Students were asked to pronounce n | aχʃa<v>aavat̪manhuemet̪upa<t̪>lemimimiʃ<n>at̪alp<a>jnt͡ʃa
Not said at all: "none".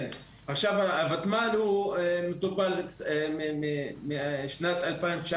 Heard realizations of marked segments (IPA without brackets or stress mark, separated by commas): v, none, n, a